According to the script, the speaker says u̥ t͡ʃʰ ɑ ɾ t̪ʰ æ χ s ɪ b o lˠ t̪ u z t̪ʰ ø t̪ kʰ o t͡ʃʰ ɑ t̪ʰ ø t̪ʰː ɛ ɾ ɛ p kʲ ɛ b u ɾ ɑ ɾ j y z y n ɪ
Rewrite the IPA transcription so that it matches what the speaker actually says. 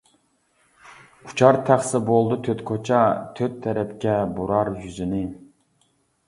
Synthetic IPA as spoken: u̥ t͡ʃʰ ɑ ɾ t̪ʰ æ χ s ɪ b o lˠ d̪ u t̪ʰ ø t̪ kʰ o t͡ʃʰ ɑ t̪ʰ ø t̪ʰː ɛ ɾ ɛ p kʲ ɛ b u ɾ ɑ ɾ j y z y n ɪ